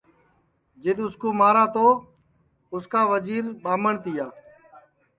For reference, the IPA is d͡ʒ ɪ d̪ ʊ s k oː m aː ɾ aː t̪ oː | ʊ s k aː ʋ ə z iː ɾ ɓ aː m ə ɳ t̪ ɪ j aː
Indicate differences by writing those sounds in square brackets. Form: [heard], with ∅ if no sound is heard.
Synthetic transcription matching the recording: d͡ʒ ɪ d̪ ʊ s k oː m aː ɾ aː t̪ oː | ʊ s k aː ʋ ə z iː ɾ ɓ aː m ə ɳ t̪ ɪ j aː